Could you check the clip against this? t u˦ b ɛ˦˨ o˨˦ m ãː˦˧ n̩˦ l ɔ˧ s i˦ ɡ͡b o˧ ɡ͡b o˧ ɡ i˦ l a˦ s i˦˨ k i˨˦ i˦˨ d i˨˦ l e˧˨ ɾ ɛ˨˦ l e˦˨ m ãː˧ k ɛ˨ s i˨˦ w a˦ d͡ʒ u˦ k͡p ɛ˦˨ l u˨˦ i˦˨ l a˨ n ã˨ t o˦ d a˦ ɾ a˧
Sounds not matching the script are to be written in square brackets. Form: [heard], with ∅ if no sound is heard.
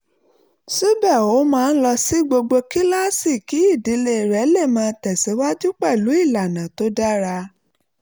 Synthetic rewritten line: [s] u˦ b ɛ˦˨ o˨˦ m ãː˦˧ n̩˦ l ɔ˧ s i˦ ɡ͡b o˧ ɡ͡b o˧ [k] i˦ l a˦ s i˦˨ k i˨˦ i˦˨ d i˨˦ l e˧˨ ɾ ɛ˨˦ l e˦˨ m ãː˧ [t] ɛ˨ s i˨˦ w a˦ d͡ʒ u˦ k͡p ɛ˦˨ l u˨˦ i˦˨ l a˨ n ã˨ t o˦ d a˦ ɾ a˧